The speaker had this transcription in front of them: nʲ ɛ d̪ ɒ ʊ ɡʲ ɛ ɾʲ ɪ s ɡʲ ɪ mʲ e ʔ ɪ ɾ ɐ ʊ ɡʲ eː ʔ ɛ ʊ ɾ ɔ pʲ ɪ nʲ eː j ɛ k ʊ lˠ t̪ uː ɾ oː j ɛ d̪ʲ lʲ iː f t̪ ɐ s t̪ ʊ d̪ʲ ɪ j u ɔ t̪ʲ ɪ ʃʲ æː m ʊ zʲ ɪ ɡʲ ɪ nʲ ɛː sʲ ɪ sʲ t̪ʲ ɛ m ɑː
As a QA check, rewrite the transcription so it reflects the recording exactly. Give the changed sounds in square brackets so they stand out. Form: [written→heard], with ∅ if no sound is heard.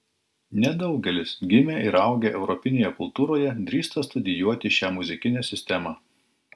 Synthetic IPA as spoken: nʲ ɛ d̪ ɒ ʊ ɡʲ ɛ [ɾʲ→lʲ] ɪ s ɡʲ ɪ mʲ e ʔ ɪ ɾ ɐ ʊ ɡʲ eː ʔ ɛ ʊ ɾ ɔ pʲ ɪ nʲ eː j ɛ k ʊ lˠ t̪ uː ɾ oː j ɛ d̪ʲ [lʲ→ɾʲ] iː [f→s] t̪ ɐ s t̪ ʊ d̪ʲ ɪ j u ɔ t̪ʲ ɪ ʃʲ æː m ʊ zʲ ɪ [ɡʲ→kʲ] ɪ nʲ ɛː sʲ ɪ sʲ t̪ʲ ɛ m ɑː